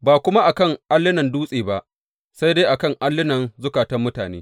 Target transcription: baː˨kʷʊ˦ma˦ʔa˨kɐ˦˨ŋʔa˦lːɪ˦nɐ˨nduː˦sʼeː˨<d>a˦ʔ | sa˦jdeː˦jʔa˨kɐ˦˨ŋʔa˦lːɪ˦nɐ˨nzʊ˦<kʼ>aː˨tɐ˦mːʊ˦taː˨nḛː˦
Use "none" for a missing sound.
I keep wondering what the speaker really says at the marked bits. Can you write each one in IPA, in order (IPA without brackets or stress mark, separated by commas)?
b, k